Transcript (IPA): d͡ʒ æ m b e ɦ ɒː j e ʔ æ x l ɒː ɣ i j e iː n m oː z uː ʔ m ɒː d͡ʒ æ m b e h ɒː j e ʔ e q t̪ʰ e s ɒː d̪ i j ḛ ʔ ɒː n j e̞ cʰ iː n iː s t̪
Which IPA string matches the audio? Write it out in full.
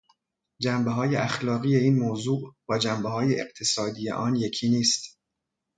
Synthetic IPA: d͡ʒ æ m b e ɦ ɒː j e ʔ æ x l ɒː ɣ i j e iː n m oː z uː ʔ b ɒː d͡ʒ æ m b e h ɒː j e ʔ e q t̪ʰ e s ɒː d̪ i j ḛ ʔ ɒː n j e̞ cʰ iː n iː s t̪